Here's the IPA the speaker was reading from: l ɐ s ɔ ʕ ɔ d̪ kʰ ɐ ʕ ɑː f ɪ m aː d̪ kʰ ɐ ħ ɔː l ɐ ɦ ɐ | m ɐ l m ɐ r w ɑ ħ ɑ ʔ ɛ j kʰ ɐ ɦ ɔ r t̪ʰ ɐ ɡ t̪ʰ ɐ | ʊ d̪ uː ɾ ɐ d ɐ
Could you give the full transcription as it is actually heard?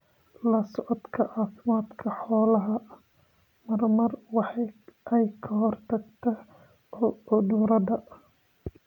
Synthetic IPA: l ɐ s ɔ ʕ ɔ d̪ kʰ ɐ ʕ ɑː f ɪ m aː d̪ kʰ ɐ ħ ɔː l ɐ ɦ ɐ | m ɐ r m ɐ r w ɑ ħ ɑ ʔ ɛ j kʰ ɐ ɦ ɔ r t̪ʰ ɐ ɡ t̪ʰ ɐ | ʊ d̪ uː ɾ ɐ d ɐ

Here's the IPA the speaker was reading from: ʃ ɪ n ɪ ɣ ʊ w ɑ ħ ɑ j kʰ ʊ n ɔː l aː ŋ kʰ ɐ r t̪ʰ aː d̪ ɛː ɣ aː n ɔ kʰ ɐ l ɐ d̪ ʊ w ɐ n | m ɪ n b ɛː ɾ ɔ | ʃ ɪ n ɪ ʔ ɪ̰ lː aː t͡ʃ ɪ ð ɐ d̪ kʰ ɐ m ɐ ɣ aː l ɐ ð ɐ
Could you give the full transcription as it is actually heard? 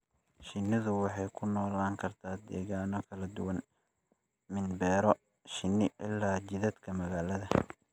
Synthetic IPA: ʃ ɪ n ɪ ð ʊ w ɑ ħ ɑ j kʰ ʊ n ɔː l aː ŋ kʰ ɐ r t̪ʰ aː d̪ ɛː ɣ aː n ɔ kʰ ɐ l ɐ d̪ ʊ w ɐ n | m ɪ n b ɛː ɾ ɔ | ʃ ɪ n ɪ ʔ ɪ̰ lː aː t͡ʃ ɪ ð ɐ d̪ kʰ ɐ m ɐ ɣ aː l ɐ ð ɐ

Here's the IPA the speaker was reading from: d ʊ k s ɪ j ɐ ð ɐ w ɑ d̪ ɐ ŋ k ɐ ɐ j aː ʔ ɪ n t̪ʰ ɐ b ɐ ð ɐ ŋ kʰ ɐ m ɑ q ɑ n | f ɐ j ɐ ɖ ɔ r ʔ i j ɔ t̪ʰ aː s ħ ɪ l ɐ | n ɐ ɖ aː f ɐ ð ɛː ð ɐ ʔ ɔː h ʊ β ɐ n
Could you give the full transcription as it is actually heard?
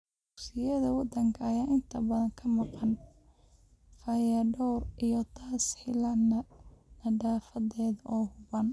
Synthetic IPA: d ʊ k s ɪ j ɐ ð ɐ w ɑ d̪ ɐ ŋ kʰ ɐ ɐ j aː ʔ ɪ n t̪ʰ ɐ b ɐ ð ɐ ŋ kʰ ɐ m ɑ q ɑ n | f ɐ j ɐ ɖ ɔ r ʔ i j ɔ t̪ʰ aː s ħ ɪ l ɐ | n ɐ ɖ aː f ɐ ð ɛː ð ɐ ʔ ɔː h ʊ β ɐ n

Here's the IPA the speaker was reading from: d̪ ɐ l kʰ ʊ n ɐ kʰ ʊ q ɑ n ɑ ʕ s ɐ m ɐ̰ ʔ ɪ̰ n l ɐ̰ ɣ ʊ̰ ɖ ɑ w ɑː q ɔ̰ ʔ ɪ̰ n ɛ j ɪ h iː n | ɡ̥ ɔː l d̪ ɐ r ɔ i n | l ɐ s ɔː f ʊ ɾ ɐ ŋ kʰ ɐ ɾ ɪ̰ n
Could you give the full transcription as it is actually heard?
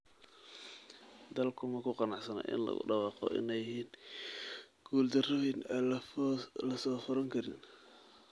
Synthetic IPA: d̪ ɐ l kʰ ʊ m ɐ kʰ ʊ q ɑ n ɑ ʕ s ɐ n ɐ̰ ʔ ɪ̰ n l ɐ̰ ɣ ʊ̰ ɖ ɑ w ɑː q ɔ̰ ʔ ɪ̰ n ɛ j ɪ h iː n | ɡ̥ uː l d̪ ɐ r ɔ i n | l ɐ s ɔː f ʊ ɾ ɐ ŋ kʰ ɐ ɾ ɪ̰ n

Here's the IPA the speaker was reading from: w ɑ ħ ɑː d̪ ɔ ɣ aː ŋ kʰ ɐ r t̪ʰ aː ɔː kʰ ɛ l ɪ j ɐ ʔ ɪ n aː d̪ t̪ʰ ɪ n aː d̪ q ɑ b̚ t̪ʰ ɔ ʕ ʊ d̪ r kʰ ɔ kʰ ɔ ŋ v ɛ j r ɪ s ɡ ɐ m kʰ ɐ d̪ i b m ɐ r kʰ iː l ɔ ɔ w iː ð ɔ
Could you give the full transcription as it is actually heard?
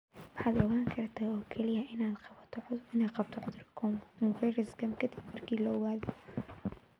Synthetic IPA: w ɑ ħ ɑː d̪ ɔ ɣ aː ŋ kʰ ɐ r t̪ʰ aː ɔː kʰ ɛ l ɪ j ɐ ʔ ɪ n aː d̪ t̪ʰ ɪ n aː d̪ q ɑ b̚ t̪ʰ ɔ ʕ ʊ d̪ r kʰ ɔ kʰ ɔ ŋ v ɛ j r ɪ s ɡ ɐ m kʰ ɐ d̪ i b m ɐ r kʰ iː l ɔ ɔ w aː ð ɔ

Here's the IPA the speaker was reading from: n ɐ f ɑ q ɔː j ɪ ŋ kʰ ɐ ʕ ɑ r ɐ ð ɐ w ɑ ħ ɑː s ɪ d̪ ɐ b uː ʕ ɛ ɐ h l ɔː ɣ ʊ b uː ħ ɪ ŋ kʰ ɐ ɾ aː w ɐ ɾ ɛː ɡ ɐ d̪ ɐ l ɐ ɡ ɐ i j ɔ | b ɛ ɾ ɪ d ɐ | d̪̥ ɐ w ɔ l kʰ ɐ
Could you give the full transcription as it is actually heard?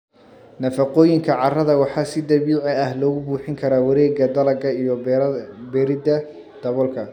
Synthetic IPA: n ɐ f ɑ q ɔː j ɪ ŋ kʰ ɐ ʕ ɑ r ɐ ð ɐ w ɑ ħ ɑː s ɪ d̪ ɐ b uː ʕ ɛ ɐ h l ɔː ɣ ʊ b uː ħ ɪ ŋ kʰ ɐ ɾ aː w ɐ ɾ ɛː ɡ ɐ d̪ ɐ l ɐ ɡ ɐ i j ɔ | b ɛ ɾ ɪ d ɐ | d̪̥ ɐ β ɔ l kʰ ɐ

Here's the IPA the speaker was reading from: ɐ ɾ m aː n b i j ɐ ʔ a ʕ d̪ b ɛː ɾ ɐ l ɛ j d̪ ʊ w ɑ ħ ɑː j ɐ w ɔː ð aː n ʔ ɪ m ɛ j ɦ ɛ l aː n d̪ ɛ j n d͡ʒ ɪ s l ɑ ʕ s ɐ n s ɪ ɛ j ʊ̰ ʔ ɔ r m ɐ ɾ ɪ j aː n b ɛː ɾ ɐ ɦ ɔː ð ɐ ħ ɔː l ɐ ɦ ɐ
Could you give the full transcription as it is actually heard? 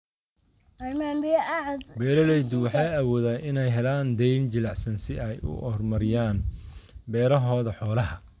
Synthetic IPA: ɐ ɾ m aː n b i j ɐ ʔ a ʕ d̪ b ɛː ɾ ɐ l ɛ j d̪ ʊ w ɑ ħ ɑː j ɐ w ɔː ð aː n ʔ ɪ n ɛ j ɦ ɛ l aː n d̪ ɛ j n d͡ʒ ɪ l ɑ ʕ s ɐ n s ɪ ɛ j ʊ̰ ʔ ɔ r m ɐ ɾ ɪ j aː n b ɛː ɾ ɐ ɦ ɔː ð ɐ ħ ɔː l ɐ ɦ ɐ

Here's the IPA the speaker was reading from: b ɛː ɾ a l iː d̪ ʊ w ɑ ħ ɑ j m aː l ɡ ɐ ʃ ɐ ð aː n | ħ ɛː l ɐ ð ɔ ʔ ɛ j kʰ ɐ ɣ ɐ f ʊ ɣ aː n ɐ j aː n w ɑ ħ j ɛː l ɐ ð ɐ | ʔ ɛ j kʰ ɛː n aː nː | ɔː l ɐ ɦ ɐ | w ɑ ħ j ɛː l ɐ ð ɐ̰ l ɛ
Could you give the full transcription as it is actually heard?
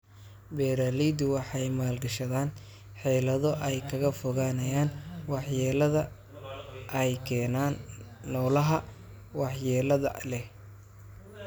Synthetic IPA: b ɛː ɾ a l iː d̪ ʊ w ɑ ħ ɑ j m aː l ɡ ɐ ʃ ɐ ð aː n | ħ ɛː l ɐ ð ɔ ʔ ɛ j kʰ ɐ ɣ ɐ f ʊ ɣ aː n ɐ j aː n w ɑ ħ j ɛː l ɐ ð ɐ | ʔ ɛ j kʰ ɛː n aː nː | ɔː l ɐ ɦ ɐ | w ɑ ħ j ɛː l ɐ ð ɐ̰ l ɛ

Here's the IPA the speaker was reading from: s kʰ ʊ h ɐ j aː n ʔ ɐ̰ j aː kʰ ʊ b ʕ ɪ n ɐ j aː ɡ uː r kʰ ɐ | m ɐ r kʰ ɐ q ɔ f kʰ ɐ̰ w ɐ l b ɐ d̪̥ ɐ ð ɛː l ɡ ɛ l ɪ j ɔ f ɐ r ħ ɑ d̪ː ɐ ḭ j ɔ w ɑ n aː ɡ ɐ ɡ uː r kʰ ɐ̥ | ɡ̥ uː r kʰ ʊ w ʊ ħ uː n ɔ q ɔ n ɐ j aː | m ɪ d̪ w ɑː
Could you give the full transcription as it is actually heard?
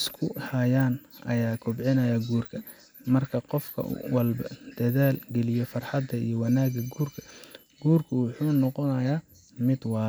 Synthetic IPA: s kʰ ʊ h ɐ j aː n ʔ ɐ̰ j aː kʰ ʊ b ʕ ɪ n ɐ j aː ɡ uː r kʰ ɐ | m ɐ r kʰ ɐ q ɔ f kʰ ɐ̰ w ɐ l b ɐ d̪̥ ɐ ð aː l ɡ ɛ l ɪ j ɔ f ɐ r ħ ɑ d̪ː ɐ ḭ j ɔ w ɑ n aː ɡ ɐ ɡ uː r kʰ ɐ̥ | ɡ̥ uː r kʰ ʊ w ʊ ħ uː n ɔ q ɔ n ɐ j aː | m ɪ d̪ w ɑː

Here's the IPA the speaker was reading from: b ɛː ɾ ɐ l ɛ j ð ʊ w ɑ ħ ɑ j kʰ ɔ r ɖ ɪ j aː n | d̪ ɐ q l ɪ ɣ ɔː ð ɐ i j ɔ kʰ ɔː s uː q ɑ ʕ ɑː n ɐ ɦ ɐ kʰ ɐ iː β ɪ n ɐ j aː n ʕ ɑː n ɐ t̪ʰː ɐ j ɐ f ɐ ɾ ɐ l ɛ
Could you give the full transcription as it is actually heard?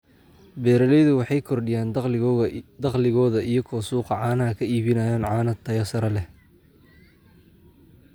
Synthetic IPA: b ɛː ɾ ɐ l ɛ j ð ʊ w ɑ ħ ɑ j kʰ ɔ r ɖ ɪ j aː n | d̪ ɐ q l ɪ ɣ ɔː ð ɐ i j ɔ kʰ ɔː s uː q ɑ ʕ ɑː n ɐ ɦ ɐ kʰ ɐ iː β ɪ n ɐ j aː n ʕ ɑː n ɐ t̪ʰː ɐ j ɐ s ɐ ɾ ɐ l ɛ

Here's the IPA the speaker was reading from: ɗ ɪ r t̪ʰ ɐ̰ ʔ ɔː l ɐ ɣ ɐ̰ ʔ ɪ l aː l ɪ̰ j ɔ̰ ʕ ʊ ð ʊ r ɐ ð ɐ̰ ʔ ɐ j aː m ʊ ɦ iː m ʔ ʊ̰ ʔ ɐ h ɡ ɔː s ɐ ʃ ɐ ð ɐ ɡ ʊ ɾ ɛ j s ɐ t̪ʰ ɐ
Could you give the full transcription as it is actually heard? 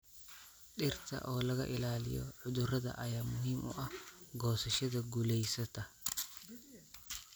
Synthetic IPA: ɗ ɪ r t̪ʰ ɐ̰ ʔ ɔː l ɐ ɣ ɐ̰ ʔ ɪ l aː l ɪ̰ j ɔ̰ ʕ ʊ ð ʊ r ɐ ð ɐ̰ ʔ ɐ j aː m ʊ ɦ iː m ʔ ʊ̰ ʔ ɐ h ɡ ɔː s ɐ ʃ ɐ ð ɐ ɡ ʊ l ɛ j s ɐ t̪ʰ ɐ

